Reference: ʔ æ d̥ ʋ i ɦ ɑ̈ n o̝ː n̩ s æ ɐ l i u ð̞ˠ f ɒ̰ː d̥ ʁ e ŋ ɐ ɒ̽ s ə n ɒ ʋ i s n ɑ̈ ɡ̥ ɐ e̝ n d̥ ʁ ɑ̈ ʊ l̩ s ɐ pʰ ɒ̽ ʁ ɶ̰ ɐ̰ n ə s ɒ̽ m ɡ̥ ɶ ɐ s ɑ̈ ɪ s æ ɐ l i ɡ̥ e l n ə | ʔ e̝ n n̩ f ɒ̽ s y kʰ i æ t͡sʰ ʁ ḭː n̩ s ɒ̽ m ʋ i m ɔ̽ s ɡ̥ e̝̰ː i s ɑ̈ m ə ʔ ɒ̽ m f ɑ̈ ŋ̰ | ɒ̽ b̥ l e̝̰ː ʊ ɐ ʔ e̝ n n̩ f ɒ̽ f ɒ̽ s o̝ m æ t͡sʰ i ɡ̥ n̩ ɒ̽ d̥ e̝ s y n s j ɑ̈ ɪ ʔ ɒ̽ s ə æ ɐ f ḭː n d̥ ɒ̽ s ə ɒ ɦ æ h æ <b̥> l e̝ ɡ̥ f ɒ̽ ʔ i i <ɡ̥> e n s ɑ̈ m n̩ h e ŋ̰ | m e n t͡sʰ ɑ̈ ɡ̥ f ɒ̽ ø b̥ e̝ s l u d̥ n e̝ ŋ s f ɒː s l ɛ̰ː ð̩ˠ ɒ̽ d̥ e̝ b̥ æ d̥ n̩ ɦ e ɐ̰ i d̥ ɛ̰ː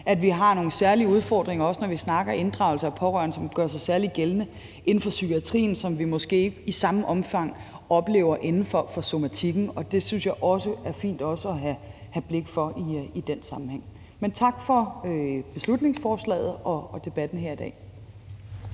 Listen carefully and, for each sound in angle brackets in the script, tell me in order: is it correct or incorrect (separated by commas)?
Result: correct, incorrect